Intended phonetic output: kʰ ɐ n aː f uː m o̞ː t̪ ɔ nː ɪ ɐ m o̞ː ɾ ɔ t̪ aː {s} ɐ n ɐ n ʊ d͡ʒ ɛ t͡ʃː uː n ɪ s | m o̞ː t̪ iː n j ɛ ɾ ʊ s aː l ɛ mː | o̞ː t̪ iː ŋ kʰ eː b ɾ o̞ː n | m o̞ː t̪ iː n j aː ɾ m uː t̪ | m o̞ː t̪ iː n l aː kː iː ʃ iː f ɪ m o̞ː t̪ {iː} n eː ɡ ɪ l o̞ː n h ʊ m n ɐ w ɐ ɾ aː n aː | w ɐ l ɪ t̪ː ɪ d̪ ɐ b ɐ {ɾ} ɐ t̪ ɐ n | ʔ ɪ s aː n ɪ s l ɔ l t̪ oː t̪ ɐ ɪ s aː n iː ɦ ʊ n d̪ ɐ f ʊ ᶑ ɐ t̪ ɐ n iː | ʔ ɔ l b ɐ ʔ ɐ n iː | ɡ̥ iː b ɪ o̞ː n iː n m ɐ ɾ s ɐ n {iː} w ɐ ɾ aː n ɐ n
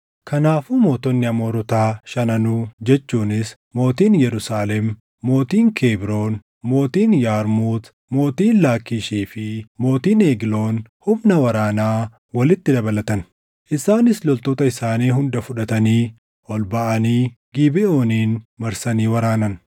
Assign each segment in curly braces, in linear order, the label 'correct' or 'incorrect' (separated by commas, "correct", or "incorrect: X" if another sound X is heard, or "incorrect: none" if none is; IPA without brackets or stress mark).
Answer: incorrect: ʃ, correct, incorrect: l, correct